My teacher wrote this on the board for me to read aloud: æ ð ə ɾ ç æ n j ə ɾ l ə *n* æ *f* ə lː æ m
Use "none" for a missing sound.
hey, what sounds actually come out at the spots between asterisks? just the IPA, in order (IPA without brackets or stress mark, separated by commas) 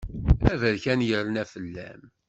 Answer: n, f